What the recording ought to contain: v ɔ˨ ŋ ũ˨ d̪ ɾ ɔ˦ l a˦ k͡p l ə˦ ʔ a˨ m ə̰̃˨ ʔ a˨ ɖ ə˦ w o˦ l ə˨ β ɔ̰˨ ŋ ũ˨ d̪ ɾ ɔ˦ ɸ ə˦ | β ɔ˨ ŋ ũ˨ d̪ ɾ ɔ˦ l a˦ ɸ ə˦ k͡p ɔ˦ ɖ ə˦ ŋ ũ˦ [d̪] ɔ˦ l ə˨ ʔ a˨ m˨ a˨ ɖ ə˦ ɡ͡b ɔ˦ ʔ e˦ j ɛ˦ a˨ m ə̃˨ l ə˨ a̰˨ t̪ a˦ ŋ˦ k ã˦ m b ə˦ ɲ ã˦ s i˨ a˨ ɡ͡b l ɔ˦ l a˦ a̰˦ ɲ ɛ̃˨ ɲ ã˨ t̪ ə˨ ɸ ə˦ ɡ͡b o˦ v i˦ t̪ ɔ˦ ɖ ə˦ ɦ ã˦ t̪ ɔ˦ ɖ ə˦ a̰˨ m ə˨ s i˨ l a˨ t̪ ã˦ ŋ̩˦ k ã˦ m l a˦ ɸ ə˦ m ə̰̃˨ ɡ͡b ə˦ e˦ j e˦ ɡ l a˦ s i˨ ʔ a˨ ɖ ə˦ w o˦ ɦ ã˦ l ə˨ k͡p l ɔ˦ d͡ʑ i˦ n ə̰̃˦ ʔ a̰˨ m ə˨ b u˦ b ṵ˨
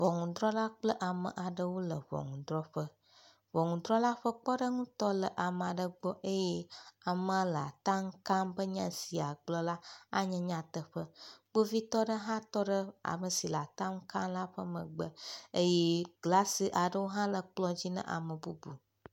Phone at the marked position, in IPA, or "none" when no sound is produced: t̪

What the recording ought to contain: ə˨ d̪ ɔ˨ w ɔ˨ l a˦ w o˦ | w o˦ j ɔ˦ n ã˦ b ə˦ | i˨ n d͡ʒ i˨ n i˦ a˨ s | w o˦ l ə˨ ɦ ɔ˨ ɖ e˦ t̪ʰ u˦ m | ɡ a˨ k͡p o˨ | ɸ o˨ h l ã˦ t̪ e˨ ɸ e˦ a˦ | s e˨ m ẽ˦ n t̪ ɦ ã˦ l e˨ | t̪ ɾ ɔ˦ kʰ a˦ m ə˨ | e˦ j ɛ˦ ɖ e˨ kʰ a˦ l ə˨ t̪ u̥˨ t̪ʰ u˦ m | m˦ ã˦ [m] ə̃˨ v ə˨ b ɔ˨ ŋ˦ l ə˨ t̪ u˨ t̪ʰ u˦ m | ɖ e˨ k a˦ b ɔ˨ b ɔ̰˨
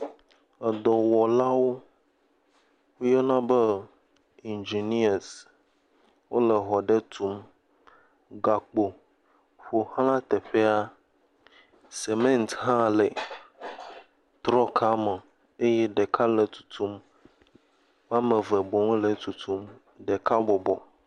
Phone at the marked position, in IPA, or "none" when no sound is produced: m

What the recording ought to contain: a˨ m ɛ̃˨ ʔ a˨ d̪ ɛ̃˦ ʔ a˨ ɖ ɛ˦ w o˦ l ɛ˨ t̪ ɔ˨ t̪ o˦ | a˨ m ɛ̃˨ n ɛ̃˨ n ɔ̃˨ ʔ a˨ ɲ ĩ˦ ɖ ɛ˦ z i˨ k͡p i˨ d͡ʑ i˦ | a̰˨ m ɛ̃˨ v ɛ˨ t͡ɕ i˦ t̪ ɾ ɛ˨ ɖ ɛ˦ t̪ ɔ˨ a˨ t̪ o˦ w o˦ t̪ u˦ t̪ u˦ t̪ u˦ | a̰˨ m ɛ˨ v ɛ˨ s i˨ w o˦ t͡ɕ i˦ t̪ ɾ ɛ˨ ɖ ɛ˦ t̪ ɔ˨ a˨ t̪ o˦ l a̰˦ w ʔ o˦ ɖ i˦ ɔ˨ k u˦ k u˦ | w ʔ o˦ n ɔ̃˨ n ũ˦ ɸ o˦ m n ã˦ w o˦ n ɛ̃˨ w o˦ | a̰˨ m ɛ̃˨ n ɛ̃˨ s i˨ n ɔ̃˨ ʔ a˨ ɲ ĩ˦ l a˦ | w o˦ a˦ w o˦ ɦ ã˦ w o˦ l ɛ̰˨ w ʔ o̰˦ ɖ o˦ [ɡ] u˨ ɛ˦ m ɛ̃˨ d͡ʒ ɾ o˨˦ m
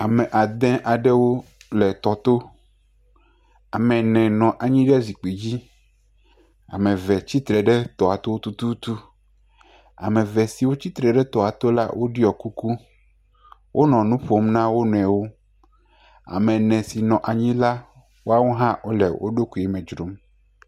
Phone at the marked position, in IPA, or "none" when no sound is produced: k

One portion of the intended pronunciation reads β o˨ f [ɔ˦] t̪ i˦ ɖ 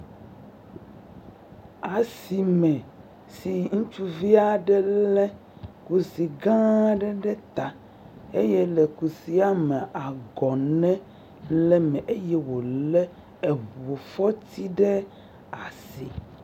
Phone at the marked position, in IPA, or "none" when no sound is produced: ɔ˦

